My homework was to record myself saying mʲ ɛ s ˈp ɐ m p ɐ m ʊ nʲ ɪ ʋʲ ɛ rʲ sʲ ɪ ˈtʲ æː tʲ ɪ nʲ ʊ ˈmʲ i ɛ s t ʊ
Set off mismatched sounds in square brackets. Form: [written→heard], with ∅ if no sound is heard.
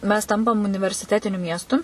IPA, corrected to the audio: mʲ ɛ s [ˈp→ˈt] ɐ m p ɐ m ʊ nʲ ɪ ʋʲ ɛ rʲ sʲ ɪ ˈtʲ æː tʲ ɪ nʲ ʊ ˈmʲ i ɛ s t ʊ